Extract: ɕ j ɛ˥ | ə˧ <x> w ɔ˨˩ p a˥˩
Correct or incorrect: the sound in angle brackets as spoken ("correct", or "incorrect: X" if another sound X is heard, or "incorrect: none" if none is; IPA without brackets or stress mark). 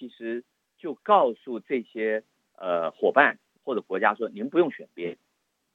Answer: correct